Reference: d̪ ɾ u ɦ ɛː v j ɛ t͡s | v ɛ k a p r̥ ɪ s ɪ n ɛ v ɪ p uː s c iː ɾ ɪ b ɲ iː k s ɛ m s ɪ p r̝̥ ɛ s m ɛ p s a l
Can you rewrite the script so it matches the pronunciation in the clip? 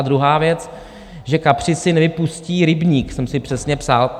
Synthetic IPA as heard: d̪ ɾ u ɦ aː v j ɛ t͡s | ʒ ɛ k a p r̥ ɪ s ɪ n ɛ v ɪ p u s c iː ɾ ɪ b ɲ iː k s ɛ m s ɪ p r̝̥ ɛ s ɲ ɛ p s a l